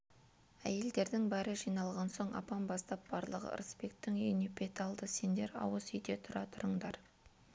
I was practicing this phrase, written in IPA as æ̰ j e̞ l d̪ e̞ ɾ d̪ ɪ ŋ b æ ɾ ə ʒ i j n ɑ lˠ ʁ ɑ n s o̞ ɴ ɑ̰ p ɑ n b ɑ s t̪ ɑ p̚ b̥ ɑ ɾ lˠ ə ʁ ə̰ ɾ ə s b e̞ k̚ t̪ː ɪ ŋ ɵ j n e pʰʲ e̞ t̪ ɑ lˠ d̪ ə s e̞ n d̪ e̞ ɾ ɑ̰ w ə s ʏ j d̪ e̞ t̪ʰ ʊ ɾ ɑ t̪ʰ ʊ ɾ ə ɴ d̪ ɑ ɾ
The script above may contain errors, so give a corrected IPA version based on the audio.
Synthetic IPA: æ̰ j e̞ l d̪ e̞ ɾ d̪ ɪ ŋ b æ ɾ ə ʒ i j n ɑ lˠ ʁ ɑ n s o̞ ɴ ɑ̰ p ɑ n b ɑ s t̪ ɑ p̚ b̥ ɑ ɾ lˠ ə ʁ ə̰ ɾ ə s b e̞ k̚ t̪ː ɪ ŋ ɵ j n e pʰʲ e̞ t̪ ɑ lˠ d̪ ə s e̞ n d̪ e̞ ɾ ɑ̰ w ə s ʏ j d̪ e̞ t̪ʰ ʊ ɾ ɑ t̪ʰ ʊ ɾ ə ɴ d̪ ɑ ɾ